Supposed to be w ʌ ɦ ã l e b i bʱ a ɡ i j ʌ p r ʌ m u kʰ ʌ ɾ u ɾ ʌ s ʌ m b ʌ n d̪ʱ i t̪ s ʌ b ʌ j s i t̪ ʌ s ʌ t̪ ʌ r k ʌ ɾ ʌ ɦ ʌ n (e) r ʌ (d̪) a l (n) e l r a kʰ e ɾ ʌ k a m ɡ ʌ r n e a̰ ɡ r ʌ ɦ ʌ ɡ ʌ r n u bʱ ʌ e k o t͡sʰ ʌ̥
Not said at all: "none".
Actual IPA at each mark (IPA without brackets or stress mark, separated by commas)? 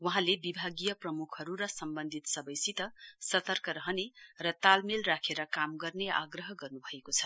e, t̪, m